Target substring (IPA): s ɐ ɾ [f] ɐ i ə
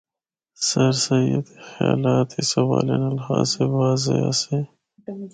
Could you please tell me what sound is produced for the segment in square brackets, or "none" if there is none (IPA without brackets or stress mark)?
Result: s